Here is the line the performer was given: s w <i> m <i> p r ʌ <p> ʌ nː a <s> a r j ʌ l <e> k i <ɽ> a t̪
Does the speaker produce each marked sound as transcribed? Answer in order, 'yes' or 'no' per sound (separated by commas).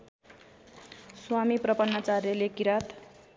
no, yes, yes, no, yes, no